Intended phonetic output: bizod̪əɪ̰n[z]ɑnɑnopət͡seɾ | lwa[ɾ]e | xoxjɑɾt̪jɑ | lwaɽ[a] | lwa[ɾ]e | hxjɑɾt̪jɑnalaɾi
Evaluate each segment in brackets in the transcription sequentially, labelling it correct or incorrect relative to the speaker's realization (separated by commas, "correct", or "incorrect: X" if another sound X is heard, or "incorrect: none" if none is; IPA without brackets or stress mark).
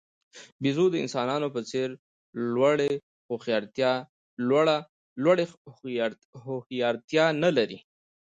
incorrect: s, incorrect: ɽ, correct, incorrect: ɽ